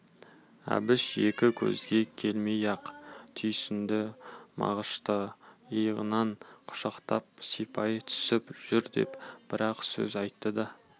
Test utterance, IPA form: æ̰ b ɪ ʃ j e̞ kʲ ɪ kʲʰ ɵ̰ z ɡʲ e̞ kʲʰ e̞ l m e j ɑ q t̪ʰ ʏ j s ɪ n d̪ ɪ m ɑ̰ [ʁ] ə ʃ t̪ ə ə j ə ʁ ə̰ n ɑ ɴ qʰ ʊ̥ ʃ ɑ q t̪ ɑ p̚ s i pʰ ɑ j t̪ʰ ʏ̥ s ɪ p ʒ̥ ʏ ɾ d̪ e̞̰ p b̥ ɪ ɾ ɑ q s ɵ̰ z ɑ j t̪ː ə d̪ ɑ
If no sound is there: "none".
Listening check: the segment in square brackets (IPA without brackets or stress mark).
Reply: ʁ